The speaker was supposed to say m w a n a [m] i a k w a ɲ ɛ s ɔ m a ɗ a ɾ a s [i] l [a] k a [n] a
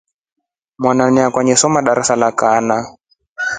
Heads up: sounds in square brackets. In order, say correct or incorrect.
incorrect, incorrect, correct, correct

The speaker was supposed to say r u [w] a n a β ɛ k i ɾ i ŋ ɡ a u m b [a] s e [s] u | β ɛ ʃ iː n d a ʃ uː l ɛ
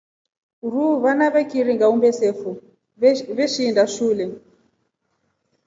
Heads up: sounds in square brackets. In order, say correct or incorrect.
incorrect, incorrect, incorrect

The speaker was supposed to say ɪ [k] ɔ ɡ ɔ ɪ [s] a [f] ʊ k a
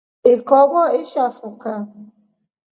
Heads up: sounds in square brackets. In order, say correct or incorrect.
correct, incorrect, correct

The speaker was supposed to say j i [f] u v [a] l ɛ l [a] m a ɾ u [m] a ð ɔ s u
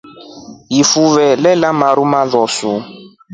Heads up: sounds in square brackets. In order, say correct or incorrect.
correct, incorrect, correct, correct

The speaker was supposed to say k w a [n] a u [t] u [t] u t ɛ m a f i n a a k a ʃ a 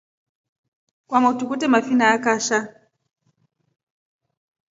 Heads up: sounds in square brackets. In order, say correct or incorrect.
incorrect, correct, incorrect

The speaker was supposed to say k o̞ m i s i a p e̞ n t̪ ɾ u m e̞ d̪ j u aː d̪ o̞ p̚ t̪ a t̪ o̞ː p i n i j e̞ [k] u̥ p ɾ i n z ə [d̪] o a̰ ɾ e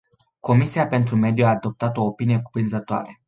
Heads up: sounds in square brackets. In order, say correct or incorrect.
correct, incorrect

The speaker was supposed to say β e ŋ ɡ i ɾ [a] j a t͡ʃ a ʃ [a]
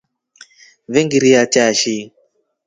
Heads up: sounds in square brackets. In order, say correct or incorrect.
incorrect, incorrect

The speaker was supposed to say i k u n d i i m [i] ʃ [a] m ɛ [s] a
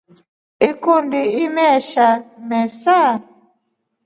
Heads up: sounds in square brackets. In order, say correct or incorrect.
incorrect, correct, correct

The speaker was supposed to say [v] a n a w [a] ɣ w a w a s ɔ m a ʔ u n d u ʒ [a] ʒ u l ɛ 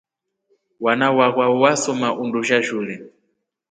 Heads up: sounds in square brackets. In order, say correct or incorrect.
incorrect, correct, correct

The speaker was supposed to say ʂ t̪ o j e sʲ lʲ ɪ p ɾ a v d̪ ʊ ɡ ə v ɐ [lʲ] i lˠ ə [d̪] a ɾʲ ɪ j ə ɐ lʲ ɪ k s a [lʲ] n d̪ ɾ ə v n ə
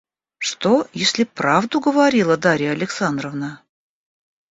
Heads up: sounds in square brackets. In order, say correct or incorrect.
incorrect, correct, incorrect

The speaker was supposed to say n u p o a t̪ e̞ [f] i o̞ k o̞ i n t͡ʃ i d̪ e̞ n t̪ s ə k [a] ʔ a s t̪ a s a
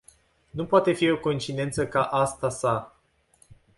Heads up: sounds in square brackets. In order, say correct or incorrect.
correct, correct

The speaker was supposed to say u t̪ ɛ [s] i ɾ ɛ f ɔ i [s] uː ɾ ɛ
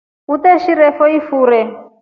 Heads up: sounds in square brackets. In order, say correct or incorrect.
incorrect, incorrect

